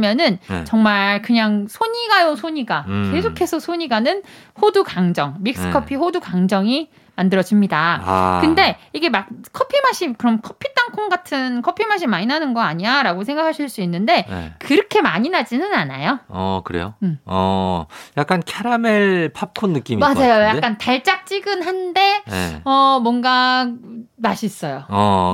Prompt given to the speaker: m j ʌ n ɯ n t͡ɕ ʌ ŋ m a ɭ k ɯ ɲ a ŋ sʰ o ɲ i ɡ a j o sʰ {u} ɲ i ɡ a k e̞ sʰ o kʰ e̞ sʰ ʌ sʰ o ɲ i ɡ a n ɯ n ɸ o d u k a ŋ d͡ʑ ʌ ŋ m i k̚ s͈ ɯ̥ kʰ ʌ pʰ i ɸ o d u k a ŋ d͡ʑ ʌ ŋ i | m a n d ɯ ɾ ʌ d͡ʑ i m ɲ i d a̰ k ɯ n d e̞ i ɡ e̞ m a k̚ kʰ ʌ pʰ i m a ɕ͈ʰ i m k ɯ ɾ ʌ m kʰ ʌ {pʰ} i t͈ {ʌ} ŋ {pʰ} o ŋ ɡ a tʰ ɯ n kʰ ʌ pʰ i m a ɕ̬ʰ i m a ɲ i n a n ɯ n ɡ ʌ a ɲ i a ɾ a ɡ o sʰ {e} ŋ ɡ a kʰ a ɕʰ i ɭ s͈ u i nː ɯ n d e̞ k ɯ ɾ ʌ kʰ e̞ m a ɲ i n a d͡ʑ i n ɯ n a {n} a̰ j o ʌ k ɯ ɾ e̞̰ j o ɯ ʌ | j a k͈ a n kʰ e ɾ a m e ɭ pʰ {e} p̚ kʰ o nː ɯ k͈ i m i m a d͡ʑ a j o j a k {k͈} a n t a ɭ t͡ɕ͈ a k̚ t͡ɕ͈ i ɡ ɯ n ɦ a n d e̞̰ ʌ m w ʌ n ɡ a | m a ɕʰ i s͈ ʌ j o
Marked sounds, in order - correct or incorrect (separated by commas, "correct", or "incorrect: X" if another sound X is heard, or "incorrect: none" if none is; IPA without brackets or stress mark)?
incorrect: o, correct, incorrect: a, incorrect: kʰ, correct, correct, incorrect: a, correct